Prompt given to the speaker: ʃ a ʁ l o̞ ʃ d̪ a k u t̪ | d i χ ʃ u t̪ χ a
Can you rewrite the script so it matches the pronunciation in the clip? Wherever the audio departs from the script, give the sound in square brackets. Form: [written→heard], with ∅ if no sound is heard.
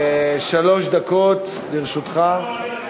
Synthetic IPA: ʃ a [ʁ→∅] l o̞ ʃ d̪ a k [u→o] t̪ | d i [χ→ʁ] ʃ u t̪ χ a